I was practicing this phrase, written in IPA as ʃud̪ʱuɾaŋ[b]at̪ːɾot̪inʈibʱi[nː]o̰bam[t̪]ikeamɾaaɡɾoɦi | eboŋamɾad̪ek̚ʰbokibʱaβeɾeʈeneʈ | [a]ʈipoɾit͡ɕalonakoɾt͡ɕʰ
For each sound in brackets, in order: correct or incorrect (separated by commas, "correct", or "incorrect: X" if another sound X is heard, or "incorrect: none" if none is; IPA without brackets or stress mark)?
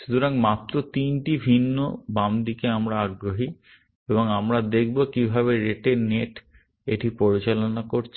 incorrect: m, correct, incorrect: d̪, incorrect: e